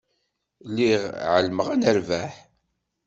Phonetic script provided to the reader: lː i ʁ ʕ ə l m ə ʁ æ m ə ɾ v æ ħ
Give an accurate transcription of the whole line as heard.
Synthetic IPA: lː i ʁ ʕ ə l m ə ʁ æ n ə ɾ v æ ħ

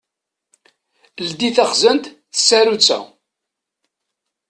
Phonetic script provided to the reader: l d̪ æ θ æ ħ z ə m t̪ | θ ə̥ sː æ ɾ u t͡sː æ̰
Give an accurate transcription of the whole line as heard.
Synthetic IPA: l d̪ i θ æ χ z ə n t̪ | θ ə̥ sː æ ɾ u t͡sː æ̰

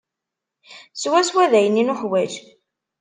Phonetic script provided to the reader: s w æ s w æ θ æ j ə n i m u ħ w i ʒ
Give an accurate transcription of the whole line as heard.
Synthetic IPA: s w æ s w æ ð æ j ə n i n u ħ w æ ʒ

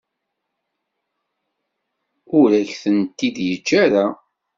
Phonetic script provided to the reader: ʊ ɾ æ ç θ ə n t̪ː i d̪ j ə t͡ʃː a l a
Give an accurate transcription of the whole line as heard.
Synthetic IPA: ʊ ɾ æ ç θ ə n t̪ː i d̪ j ə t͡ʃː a ɾ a

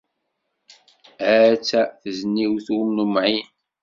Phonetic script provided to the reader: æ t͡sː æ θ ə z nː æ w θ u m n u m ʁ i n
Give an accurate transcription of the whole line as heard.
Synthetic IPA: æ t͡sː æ θ ə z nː i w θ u m n u m ʕ i n

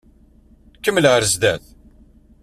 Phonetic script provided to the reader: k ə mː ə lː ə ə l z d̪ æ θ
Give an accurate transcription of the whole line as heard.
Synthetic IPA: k ə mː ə l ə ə ɾ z d̪ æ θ

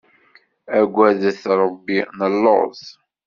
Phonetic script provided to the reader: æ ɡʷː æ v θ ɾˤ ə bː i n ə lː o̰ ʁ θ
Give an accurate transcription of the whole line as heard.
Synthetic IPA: æ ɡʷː æ ð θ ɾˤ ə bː i n ə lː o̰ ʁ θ

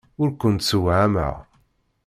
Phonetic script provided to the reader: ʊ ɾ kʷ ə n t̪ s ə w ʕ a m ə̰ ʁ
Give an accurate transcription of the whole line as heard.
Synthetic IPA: ʊ ɾ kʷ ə n t̪ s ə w ʕ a m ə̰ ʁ

